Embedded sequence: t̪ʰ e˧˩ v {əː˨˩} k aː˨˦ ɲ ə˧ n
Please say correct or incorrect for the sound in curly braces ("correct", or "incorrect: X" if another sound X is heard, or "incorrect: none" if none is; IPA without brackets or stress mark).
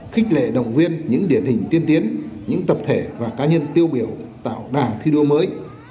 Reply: incorrect: aː˨˩